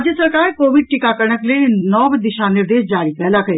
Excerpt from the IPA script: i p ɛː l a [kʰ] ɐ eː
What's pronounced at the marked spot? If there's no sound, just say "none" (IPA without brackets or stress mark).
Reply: k